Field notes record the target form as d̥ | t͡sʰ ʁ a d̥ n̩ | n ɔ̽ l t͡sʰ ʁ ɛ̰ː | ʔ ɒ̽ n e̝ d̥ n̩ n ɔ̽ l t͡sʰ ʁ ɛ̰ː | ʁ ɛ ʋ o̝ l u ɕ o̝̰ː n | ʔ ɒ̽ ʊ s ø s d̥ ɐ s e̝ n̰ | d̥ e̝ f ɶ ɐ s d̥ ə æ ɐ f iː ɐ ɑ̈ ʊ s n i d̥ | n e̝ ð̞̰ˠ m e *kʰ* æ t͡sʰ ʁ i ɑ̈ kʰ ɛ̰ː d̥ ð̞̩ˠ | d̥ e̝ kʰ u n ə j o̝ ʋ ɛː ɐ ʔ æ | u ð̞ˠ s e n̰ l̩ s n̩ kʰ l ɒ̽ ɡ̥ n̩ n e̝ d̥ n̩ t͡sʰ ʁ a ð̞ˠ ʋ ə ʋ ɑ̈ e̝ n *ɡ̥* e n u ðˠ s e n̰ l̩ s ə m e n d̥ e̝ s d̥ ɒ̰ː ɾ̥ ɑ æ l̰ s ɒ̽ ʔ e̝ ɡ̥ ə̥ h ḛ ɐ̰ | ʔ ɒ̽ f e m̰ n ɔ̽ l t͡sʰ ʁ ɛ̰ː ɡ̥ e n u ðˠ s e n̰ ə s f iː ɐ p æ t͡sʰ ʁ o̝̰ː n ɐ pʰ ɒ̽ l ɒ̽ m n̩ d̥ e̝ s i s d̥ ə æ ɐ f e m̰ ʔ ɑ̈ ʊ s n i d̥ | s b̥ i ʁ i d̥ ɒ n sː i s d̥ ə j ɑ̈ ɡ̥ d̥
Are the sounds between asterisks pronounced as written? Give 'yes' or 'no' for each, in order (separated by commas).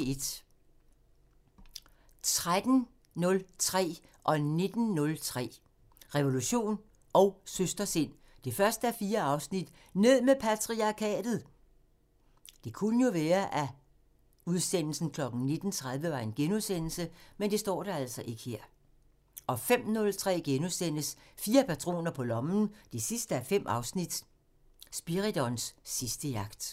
no, yes